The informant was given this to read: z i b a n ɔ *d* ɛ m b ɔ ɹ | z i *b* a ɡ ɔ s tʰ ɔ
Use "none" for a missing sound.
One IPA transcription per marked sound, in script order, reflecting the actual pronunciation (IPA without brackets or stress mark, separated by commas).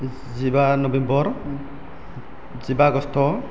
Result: b, b